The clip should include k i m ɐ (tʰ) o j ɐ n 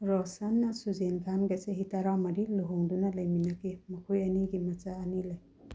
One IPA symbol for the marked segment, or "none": kʰ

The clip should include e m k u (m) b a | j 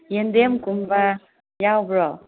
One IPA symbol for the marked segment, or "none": m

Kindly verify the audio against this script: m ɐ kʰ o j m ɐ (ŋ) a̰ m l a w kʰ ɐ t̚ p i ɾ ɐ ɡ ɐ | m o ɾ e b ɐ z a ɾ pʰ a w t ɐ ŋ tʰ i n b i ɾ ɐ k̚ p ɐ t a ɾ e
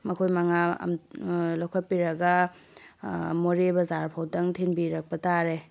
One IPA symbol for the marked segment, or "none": ŋ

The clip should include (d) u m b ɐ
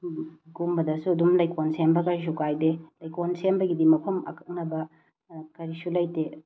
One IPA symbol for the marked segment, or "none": ɡ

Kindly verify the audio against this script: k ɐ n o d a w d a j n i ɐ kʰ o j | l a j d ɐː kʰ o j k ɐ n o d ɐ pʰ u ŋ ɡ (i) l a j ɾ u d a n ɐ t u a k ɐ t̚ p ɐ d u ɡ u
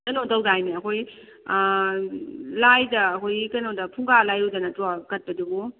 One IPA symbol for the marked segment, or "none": a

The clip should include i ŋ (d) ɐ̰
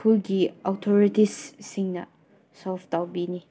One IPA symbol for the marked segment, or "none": n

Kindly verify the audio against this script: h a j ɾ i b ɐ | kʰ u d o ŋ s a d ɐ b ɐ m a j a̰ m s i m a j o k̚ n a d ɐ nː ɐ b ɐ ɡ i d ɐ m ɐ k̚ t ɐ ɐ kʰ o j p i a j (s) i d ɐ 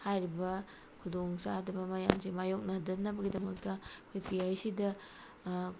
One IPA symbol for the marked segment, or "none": s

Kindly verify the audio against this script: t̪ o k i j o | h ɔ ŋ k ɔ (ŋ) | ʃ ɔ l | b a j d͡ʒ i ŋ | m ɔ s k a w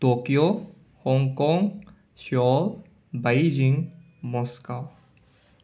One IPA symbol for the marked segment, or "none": ŋ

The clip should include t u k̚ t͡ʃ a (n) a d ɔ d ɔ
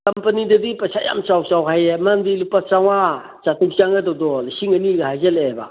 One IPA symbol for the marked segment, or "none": ŋ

